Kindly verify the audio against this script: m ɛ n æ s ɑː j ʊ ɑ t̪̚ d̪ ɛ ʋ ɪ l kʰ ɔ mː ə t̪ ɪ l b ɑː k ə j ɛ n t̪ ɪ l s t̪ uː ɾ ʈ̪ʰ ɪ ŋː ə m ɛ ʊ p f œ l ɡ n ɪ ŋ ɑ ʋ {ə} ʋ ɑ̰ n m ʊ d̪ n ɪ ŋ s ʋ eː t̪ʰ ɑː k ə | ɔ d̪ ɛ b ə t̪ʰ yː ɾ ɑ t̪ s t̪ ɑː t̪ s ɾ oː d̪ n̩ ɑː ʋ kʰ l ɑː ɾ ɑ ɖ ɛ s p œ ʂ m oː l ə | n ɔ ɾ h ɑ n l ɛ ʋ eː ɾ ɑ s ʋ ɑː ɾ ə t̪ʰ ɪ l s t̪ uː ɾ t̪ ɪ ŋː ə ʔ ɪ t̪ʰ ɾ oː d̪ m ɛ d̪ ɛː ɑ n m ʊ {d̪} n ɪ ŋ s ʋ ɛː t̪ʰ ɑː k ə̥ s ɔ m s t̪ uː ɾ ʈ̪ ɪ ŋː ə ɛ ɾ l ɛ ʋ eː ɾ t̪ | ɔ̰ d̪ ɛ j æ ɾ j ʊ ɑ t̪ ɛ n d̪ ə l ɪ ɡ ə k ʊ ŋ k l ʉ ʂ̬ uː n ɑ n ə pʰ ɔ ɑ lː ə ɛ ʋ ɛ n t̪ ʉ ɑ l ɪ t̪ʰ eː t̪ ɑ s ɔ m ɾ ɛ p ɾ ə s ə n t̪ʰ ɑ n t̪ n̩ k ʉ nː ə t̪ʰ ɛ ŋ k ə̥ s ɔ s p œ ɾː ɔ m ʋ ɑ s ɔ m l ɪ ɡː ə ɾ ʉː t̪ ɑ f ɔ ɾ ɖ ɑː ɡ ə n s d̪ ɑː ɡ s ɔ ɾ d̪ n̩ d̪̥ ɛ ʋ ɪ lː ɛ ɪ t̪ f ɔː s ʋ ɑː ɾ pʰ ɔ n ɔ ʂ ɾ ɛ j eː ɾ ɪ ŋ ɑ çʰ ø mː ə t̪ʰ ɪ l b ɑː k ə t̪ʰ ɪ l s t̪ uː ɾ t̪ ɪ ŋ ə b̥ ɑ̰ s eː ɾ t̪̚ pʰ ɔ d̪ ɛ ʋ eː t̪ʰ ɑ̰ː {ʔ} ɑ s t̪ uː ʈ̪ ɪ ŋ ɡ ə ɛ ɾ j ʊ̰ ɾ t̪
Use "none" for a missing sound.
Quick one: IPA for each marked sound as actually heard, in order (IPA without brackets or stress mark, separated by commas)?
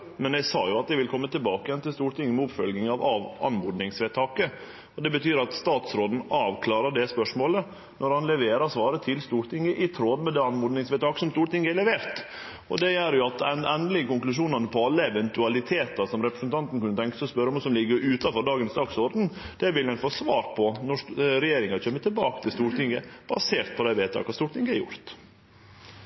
ɑ, d̪, k